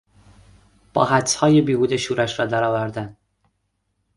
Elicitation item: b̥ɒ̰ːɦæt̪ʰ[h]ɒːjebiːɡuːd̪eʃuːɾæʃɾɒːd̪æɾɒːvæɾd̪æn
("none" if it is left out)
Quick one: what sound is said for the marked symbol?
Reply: h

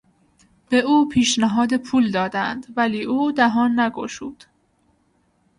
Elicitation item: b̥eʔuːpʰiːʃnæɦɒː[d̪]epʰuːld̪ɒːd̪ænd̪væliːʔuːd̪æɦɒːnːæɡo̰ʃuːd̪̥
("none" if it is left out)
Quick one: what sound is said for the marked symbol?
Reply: d̪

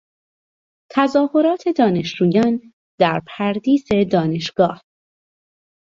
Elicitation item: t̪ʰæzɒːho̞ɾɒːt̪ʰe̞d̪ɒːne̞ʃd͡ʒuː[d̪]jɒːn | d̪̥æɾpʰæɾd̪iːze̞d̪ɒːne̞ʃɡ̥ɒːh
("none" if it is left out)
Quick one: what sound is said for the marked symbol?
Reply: none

